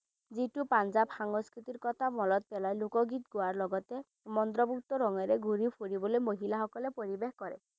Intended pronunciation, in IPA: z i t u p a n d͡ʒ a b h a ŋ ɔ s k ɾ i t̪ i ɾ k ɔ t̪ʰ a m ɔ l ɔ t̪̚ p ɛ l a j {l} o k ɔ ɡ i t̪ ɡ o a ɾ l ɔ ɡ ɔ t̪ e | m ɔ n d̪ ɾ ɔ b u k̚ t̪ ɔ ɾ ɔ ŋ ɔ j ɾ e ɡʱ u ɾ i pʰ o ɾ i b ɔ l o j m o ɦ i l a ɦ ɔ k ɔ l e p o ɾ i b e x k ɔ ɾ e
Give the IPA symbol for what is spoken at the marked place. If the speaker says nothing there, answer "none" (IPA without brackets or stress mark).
l